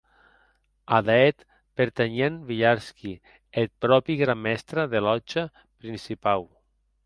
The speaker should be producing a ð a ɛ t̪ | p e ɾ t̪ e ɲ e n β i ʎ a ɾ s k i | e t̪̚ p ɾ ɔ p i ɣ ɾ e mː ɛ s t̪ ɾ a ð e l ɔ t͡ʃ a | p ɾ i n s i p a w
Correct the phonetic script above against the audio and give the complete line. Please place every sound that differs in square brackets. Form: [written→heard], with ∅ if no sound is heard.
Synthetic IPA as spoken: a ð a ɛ t̪ | p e ɾ t̪ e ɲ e n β i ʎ a ɾ s k i | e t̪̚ p ɾ ɔ p i ɣ ɾ [e→a] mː ɛ s t̪ ɾ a ð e l ɔ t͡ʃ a | p ɾ i n s i p a w